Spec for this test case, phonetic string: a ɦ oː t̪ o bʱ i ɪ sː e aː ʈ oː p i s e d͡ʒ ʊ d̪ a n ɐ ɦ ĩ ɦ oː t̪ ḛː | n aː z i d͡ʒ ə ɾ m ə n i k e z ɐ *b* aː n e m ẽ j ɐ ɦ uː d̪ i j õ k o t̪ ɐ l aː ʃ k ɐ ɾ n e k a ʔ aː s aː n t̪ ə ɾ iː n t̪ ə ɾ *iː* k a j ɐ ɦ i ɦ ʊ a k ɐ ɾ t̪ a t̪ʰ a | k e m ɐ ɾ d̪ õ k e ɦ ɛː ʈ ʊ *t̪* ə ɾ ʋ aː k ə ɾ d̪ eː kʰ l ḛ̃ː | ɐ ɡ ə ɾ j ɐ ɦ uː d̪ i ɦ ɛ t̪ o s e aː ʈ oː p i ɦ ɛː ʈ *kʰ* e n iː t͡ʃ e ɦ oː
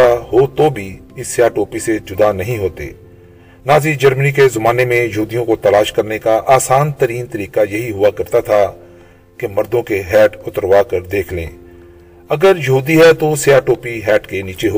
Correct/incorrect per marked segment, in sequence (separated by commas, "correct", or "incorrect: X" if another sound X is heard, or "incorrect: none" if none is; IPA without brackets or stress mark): incorrect: m, correct, correct, incorrect: k